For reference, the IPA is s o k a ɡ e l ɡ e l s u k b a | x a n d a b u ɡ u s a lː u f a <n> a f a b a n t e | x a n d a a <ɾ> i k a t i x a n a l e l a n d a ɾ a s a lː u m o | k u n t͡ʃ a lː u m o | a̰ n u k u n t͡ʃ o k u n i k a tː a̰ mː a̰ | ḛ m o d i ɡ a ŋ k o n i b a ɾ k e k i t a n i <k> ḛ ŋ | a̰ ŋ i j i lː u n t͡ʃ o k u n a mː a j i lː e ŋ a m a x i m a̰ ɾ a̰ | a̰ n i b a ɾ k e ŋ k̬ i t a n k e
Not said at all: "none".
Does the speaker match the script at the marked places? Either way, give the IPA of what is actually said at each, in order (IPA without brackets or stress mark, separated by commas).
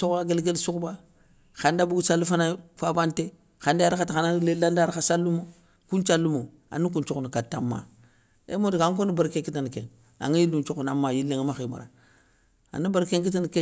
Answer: n, ɾ, k